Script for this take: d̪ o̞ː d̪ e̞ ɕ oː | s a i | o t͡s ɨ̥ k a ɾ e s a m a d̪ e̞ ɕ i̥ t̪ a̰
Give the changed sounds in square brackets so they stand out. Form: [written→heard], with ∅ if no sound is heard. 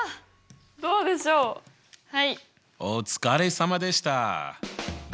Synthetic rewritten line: d̪ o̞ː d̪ e̞ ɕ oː | [s→h] a i | o t͡s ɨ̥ k a ɾ e s a m a d̪ e̞ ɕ i̥ t̪ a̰